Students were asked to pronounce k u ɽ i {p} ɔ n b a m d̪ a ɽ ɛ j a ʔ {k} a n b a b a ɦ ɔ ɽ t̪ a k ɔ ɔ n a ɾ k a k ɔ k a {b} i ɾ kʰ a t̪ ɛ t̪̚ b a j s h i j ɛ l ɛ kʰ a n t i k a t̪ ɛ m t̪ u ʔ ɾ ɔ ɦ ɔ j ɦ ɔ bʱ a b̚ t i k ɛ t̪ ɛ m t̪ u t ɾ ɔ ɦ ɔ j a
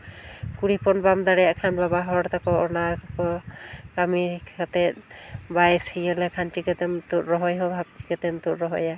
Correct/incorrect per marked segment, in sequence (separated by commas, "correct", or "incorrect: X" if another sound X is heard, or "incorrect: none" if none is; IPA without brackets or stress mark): correct, incorrect: kʰ, incorrect: m